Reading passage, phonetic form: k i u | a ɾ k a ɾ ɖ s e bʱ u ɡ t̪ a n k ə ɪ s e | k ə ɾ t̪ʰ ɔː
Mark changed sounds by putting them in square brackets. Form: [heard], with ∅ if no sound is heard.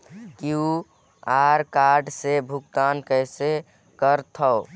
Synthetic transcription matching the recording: k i u | a ɾ k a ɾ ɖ s e bʱ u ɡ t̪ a n k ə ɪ s e | k ə ɾ t̪ʰ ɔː